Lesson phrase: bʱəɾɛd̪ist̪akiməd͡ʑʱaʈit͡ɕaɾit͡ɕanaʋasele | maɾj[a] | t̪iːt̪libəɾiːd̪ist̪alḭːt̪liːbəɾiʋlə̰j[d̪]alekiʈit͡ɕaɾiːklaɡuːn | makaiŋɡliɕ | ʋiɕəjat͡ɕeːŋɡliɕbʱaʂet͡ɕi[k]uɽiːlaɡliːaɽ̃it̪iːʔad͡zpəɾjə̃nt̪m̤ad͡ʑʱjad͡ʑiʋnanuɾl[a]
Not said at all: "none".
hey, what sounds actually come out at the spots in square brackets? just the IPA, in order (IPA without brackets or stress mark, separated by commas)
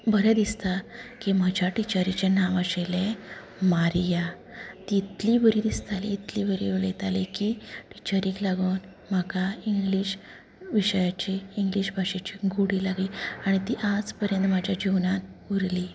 a, t̪, ɡ, i